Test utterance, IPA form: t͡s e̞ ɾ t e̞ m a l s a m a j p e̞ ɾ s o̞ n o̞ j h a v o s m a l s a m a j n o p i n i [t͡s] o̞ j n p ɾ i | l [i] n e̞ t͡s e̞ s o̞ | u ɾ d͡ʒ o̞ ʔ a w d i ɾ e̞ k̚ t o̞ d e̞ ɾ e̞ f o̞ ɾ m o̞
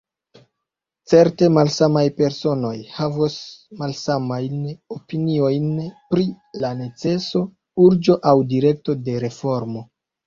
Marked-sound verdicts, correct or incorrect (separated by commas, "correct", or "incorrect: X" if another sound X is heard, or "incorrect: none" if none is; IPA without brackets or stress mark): incorrect: none, incorrect: a